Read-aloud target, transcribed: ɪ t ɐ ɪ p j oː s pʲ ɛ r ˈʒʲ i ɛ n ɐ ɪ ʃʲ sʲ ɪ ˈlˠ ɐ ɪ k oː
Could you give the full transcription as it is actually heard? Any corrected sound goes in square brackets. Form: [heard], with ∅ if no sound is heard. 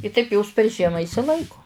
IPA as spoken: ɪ t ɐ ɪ p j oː s pʲ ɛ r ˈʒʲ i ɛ [m] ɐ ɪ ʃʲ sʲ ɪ ˈlˠ ɐ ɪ k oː